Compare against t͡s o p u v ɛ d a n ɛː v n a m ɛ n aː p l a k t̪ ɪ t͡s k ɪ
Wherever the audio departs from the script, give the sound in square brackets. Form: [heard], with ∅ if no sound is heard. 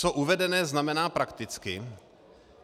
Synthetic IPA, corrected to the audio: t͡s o [ʔ] u v ɛ d [ɛ] n ɛː [z] n a m ɛ n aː p [ɾ] a k t̪ ɪ t͡s k ɪ